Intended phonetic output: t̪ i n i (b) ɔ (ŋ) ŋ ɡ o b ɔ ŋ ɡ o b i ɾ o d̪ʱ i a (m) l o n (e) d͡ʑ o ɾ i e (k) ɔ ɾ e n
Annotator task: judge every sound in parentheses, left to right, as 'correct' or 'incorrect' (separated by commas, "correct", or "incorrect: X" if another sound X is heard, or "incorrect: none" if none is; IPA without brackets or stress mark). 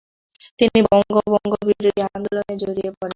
correct, correct, correct, correct, incorrect: p